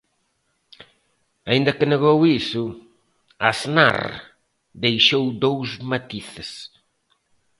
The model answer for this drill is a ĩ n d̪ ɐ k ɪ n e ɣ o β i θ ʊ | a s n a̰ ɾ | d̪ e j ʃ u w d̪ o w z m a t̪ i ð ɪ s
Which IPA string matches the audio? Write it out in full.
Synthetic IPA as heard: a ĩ n d̪ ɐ k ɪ n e ɣ o w i s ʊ | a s n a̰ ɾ | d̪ e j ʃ o w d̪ o w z m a t̪ i θ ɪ s